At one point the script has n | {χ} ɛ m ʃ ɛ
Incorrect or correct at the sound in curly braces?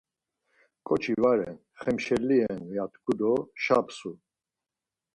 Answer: correct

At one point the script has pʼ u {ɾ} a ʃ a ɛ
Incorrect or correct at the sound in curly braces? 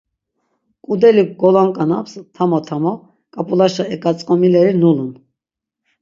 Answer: incorrect: l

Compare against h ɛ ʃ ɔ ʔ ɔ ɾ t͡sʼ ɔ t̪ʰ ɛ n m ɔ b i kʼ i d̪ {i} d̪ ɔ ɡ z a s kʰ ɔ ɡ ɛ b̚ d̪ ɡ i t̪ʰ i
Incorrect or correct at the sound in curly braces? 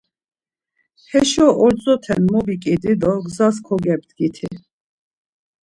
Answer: correct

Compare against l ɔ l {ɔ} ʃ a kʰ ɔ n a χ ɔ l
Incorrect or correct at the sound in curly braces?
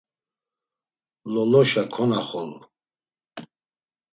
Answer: correct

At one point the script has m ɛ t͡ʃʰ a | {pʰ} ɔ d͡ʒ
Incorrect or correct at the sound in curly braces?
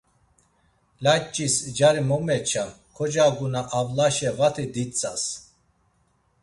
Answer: incorrect: kʰ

